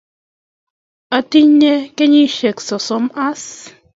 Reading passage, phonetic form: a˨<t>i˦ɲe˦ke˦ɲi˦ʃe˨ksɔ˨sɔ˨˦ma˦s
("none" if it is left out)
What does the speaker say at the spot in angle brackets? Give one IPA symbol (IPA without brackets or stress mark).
t